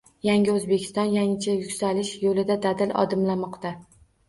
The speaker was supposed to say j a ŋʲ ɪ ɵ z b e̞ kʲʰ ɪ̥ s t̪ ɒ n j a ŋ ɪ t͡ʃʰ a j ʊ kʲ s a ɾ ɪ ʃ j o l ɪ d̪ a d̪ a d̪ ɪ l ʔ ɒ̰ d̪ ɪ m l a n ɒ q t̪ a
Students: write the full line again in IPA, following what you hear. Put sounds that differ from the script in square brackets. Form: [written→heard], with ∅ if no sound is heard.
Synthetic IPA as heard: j a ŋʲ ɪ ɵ z b e̞ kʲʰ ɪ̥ s t̪ ɒ n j a ŋ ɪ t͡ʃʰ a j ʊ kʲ s a [ɾ→l] ɪ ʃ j o l ɪ d̪ a d̪ a d̪ ɪ l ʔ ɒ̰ d̪ ɪ m l a [n→m] ɒ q t̪ a